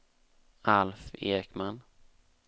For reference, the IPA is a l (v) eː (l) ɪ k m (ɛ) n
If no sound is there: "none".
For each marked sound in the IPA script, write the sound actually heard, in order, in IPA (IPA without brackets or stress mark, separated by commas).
f, ɾ, a